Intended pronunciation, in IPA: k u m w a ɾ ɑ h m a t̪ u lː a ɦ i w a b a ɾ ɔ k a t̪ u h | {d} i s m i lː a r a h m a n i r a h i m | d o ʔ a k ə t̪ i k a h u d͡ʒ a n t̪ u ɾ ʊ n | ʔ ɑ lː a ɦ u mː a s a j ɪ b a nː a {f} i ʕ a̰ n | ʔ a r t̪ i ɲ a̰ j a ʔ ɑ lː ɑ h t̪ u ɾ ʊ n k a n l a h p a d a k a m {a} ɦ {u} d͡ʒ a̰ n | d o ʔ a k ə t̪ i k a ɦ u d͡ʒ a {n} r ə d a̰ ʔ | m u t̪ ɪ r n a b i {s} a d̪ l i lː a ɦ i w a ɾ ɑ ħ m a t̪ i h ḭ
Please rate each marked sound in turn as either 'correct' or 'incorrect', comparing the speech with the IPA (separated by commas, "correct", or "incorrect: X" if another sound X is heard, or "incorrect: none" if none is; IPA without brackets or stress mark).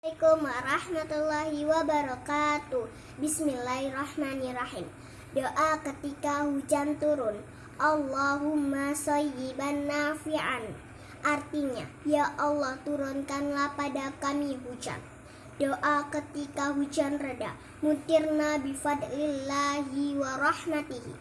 incorrect: b, correct, incorrect: i, correct, correct, incorrect: f